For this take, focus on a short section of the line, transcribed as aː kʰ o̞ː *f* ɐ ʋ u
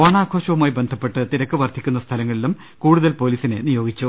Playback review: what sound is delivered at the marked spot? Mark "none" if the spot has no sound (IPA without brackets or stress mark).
ɕ